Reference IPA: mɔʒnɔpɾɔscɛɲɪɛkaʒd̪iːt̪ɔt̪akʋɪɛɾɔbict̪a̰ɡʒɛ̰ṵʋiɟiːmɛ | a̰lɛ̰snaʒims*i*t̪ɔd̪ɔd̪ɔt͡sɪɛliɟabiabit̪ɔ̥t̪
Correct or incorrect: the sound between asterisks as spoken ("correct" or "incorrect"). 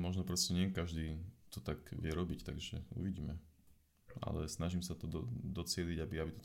incorrect